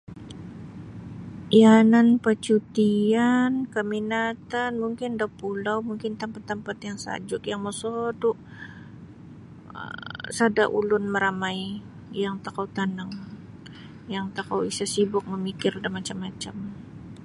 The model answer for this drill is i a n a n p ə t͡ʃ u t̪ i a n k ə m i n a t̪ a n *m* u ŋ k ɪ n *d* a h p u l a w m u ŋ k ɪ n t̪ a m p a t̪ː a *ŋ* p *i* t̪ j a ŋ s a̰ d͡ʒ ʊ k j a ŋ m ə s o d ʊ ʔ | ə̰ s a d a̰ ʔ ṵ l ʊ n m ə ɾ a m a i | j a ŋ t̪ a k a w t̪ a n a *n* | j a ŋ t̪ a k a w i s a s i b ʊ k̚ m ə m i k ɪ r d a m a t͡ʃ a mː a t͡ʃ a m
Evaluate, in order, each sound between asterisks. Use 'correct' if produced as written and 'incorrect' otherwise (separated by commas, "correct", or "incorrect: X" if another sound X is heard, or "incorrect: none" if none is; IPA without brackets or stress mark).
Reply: correct, correct, incorrect: m, incorrect: a, incorrect: ŋ